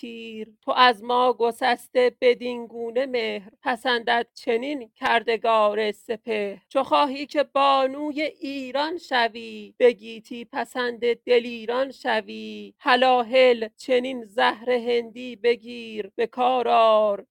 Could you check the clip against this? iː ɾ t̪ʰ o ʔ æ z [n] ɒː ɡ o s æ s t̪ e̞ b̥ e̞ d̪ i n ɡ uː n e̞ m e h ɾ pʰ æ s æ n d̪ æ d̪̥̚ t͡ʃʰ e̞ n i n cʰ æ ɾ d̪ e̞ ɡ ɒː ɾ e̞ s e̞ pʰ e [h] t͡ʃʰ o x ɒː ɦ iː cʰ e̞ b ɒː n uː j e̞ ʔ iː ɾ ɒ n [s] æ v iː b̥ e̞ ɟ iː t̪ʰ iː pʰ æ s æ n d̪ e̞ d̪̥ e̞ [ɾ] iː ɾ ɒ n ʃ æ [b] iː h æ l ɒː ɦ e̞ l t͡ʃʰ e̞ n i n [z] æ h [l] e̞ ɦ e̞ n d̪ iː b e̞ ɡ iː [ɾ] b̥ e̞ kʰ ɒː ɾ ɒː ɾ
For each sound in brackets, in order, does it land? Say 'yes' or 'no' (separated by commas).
no, yes, no, no, no, yes, no, yes